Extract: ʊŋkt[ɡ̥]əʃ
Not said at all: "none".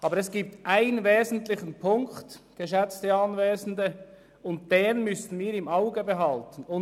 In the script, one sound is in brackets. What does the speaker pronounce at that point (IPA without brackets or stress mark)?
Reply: ɡ̥